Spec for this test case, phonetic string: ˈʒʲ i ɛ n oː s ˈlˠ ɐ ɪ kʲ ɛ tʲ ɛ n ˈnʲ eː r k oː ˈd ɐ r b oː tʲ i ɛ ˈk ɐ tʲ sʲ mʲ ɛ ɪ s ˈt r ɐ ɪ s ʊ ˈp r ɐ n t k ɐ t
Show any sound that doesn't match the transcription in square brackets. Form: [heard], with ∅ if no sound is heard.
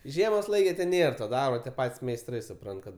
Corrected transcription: ˈʒʲ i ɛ [m] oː s ˈlˠ ɐ ɪ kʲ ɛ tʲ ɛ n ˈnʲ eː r [t] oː ˈd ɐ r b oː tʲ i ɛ [ˈp] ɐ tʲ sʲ mʲ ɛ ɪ s ˈt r ɐ ɪ s ʊ ˈp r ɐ n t k ɐ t